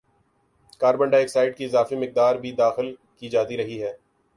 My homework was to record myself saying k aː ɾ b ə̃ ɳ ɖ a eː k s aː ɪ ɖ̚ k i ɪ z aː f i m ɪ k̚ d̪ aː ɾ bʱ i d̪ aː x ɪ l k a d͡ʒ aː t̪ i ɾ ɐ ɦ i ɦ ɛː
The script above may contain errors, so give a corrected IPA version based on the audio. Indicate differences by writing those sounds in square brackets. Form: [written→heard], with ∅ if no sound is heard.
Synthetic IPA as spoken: k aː ɾ b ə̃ ɳ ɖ a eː k s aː ɪ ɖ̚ k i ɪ z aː f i m ɪ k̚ d̪ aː ɾ bʱ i d̪ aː x ɪ l k [a→i] d͡ʒ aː t̪ i ɾ ɐ ɦ i ɦ ɛː